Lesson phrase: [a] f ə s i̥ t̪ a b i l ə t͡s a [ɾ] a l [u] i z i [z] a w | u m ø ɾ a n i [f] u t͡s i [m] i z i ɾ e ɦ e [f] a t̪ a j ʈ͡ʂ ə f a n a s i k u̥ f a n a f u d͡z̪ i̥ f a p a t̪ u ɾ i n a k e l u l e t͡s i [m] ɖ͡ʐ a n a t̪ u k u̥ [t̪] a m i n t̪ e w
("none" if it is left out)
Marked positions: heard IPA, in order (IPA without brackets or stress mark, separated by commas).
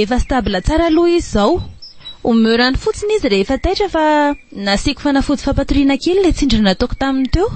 e, ɾ, u, z, f, n, f, ɳ, t̪